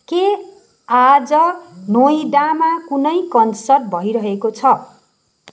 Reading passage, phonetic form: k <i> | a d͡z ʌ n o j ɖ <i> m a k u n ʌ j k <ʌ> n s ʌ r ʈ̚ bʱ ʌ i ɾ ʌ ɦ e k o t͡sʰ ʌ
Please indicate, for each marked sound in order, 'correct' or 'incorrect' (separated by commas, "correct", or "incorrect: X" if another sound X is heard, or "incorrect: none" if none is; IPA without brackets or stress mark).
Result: incorrect: e, incorrect: a, correct